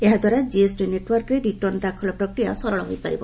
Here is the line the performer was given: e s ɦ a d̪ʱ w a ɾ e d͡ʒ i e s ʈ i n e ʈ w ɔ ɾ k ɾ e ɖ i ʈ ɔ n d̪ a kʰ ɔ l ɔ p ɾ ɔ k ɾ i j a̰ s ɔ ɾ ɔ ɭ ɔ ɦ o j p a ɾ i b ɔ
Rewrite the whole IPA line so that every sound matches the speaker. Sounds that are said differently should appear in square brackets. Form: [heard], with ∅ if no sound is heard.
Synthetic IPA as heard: e [∅] ɦ a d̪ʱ w a ɾ [a] d͡ʒ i e s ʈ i n e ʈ w ɔ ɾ k ɾ e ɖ i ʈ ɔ n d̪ a kʰ ɔ l ɔ p ɾ ɔ k ɾ i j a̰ s ɔ ɾ ɔ ɭ ɔ ɦ o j p a ɾ i b ɔ